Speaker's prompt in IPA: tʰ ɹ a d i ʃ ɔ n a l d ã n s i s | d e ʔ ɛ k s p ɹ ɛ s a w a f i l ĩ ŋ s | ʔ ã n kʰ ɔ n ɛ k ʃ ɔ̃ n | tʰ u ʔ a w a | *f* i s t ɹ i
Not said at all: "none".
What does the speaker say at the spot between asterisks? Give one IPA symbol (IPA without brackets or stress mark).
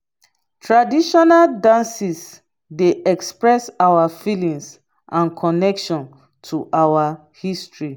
h